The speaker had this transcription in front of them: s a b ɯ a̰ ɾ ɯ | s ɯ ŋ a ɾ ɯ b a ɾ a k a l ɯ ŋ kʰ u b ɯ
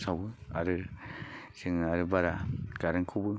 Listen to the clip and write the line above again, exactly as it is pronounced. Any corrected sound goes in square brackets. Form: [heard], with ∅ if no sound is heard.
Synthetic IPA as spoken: s a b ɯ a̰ ɾ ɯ | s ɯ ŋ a ɾ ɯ b a ɾ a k a [ɾ] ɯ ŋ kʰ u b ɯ